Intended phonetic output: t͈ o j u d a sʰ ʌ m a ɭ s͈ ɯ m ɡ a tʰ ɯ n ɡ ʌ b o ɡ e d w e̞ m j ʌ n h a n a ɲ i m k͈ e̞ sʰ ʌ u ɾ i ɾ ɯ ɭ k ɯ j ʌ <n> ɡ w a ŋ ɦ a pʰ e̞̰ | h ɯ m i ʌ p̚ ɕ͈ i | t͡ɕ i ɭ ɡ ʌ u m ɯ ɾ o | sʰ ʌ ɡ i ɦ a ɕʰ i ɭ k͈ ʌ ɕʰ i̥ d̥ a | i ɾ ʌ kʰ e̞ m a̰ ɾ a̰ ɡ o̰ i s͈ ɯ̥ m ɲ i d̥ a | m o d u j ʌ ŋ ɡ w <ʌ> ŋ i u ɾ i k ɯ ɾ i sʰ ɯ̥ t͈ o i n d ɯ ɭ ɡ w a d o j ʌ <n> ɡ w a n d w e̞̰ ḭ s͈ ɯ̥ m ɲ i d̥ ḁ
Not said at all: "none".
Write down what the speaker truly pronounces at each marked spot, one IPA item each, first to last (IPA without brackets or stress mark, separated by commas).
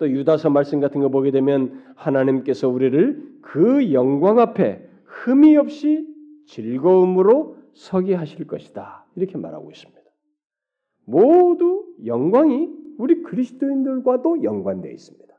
ŋ, a, ŋ